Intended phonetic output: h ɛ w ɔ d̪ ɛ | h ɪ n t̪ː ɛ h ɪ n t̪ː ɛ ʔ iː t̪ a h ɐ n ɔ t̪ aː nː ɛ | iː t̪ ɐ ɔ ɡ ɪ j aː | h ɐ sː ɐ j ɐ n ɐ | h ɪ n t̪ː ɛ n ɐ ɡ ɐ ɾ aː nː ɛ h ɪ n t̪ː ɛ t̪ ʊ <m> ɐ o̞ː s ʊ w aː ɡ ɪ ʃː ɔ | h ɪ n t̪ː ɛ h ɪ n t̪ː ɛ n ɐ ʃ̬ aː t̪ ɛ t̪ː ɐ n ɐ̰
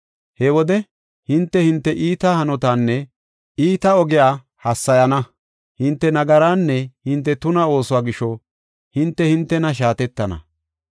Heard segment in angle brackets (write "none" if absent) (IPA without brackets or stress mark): n